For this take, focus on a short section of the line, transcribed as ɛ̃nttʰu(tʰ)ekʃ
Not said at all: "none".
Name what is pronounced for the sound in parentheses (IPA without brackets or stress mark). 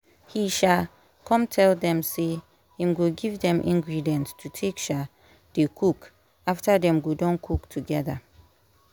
tʰ